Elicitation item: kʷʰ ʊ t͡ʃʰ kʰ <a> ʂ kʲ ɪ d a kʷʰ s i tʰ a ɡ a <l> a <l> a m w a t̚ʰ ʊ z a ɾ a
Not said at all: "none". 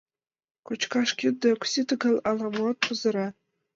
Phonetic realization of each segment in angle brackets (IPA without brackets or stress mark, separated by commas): a, l, l